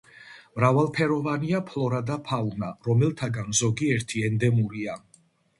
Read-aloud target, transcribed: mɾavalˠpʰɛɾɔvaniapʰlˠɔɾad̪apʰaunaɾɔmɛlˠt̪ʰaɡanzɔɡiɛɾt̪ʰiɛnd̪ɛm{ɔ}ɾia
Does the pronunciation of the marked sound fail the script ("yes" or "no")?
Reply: yes